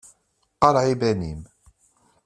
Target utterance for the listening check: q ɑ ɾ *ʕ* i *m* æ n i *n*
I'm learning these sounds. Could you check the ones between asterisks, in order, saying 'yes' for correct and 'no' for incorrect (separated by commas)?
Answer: yes, no, no